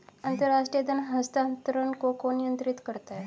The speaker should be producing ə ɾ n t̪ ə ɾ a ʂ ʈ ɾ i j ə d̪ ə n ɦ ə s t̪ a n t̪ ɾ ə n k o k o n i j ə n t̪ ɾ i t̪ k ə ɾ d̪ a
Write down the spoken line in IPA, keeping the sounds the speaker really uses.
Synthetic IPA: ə n t̪ ə ɾ a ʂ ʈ ɾ i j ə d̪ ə n ɦ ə s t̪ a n t̪ ɾ ə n k o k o n i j ə n t̪ ɾ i t̪ k ə ɾ t̪ a